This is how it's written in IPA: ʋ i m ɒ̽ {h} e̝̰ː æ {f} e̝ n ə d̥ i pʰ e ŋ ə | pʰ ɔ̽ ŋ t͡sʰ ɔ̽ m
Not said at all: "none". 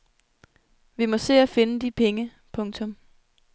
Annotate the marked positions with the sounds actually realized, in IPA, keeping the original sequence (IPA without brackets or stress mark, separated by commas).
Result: s, f